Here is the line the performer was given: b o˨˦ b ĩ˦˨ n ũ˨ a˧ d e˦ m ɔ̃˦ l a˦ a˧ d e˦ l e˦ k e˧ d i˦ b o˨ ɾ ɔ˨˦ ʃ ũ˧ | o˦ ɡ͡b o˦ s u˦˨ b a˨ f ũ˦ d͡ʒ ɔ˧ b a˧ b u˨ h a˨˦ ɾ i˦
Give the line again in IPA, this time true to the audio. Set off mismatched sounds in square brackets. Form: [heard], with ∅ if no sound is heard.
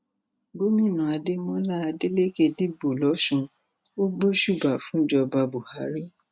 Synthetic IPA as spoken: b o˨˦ [m] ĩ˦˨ n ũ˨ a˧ d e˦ m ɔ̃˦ l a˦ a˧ d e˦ l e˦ k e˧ d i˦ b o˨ [l] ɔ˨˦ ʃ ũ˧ | o˦ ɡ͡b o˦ [ʃ] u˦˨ b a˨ f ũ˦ d͡ʒ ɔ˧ b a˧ b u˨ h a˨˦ ɾ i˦